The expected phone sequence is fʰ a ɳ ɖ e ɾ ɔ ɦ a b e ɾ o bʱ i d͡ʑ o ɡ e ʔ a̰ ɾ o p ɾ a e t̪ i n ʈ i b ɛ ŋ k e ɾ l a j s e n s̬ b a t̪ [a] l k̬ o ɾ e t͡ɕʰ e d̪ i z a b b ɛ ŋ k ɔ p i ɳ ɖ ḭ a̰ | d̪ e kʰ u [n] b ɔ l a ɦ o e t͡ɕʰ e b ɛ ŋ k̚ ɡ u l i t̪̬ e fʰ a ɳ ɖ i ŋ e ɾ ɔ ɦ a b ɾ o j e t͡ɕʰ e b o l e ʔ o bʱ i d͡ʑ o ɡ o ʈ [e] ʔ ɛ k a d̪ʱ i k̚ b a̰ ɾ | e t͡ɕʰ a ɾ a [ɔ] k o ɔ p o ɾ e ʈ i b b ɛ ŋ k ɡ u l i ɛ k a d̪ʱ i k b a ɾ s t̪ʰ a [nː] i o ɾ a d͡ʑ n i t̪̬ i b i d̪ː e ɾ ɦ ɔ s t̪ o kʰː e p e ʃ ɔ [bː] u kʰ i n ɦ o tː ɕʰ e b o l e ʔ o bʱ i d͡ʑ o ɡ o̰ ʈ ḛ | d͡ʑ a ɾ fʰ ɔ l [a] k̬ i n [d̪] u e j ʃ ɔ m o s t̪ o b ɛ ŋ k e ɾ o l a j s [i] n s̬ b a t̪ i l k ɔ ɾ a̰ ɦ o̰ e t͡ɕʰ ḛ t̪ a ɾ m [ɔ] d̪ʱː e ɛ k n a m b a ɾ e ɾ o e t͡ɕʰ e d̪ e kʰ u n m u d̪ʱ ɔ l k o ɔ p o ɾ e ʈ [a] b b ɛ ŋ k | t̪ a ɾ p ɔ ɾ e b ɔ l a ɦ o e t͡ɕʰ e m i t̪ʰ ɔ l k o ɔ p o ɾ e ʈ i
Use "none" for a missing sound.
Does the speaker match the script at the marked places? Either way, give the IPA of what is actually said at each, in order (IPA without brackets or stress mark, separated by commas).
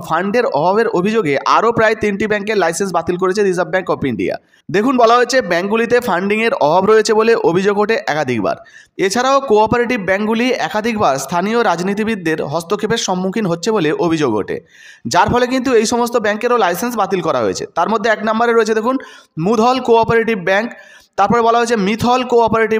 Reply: i, n, e, o, n, mː, e, t̪, e, o, i